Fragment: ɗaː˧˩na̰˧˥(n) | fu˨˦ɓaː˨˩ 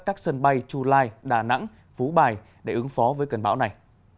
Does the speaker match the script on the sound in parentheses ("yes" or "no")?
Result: no